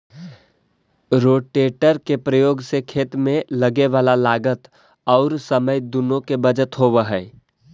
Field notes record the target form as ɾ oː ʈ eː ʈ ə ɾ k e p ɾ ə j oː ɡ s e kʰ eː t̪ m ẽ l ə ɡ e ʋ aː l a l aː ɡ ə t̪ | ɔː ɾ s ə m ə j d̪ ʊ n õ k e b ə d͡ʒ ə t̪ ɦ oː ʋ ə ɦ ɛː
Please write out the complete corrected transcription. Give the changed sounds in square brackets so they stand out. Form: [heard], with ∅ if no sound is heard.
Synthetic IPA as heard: ɾ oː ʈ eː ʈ ə ɾ k e p ɾ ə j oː ɡ s e kʰ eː t̪ m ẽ l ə ɡ e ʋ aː l a l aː ɡ ə t̪ | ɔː ɾ s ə m ə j d̪ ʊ n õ k e b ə d͡ʒ ə t̪ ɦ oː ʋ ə ɦ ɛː